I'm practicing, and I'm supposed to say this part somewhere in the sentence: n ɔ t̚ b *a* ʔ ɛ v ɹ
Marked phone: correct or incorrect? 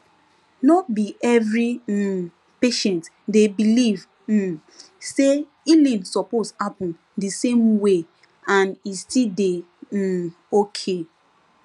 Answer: incorrect: i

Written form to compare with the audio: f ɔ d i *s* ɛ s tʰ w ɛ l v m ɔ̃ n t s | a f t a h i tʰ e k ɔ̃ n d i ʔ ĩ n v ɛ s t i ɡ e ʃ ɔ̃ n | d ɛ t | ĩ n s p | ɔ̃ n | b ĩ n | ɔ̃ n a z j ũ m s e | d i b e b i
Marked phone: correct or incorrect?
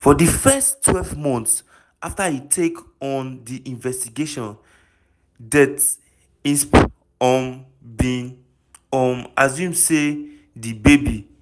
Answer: incorrect: f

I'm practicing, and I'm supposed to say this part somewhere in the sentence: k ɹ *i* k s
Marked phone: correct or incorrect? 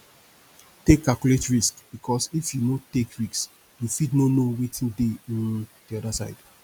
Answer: correct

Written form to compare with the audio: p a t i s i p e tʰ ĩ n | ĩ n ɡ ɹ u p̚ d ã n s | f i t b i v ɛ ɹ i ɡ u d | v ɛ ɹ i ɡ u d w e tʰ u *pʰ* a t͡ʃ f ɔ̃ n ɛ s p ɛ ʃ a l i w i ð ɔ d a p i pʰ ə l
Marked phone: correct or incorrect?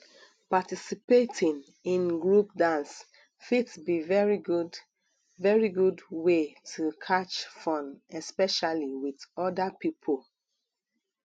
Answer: incorrect: kʰ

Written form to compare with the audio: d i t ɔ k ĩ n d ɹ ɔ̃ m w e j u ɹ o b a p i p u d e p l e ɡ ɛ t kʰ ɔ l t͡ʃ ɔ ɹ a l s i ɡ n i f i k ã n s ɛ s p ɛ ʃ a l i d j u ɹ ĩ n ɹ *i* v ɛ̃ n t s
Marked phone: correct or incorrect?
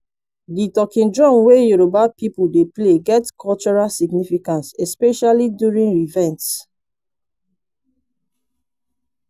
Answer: correct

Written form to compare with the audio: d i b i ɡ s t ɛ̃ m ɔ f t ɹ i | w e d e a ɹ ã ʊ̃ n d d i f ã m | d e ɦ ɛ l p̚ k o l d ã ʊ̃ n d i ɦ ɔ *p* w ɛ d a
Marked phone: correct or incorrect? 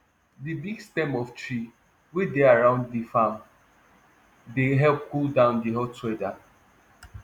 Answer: incorrect: t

